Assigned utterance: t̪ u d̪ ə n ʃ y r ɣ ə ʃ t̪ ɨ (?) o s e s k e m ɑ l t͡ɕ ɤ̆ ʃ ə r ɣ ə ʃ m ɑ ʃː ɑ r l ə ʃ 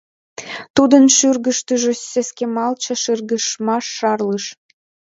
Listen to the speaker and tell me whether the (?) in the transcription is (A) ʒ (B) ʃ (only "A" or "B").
A